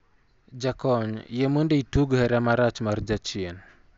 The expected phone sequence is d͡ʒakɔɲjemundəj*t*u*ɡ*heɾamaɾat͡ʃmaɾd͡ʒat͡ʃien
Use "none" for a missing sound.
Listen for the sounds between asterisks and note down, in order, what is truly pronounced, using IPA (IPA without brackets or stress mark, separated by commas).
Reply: t, ɡ